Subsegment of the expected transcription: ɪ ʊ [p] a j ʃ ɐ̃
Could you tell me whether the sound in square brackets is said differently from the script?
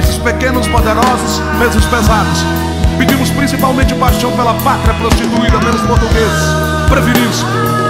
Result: no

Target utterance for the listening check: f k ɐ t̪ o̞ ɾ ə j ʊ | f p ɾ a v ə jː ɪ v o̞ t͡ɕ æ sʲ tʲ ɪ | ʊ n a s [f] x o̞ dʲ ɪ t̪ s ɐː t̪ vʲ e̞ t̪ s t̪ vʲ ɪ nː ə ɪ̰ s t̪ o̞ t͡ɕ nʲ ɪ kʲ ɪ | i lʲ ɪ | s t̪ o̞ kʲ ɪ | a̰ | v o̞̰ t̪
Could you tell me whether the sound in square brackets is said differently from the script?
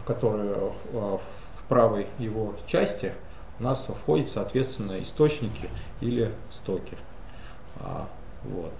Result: no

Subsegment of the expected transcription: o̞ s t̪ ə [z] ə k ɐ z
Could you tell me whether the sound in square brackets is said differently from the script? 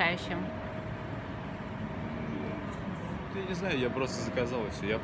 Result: no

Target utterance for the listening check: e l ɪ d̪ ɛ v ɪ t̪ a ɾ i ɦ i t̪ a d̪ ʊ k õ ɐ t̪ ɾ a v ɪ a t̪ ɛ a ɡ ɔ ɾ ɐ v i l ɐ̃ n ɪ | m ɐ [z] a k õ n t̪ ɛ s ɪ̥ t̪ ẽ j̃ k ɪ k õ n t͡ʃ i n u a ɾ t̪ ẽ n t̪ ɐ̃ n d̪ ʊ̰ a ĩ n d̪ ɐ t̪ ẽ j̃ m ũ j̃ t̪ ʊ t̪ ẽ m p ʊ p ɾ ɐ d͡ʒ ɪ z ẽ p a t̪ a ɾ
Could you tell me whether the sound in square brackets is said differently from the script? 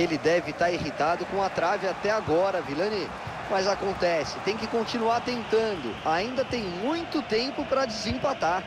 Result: no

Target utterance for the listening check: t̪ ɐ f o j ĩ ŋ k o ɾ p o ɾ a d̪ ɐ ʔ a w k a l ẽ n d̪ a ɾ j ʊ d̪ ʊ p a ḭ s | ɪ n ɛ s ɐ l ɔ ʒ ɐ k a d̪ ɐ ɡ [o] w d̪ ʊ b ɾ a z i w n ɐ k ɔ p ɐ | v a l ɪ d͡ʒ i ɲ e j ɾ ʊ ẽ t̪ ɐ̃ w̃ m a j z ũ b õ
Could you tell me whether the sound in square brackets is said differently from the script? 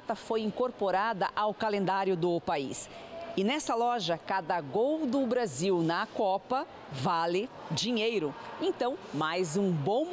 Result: no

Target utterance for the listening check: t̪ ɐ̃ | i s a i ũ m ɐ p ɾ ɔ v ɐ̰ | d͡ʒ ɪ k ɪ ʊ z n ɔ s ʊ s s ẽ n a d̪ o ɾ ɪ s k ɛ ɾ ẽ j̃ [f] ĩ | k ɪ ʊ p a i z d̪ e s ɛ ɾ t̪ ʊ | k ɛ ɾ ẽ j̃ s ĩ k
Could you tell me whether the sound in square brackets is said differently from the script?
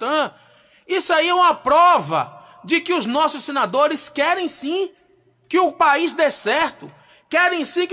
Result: yes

